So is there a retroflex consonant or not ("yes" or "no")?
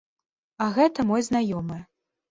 no